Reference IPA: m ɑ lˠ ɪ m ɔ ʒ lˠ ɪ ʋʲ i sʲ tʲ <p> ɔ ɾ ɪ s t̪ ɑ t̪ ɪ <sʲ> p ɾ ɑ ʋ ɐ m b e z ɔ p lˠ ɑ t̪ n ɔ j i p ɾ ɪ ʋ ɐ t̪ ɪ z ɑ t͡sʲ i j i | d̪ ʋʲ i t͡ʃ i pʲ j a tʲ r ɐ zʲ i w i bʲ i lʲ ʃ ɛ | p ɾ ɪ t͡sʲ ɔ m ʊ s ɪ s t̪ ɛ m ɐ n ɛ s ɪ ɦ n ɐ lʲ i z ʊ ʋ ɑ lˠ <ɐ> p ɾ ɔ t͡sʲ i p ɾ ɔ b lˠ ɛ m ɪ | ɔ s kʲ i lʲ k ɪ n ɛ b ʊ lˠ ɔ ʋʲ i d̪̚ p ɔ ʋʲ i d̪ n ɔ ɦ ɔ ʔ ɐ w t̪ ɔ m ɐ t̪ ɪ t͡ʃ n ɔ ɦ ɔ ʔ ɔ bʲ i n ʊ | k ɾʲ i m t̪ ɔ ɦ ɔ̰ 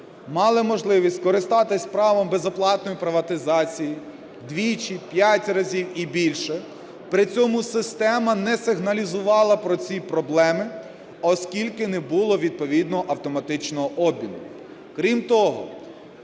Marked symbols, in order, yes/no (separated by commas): no, yes, yes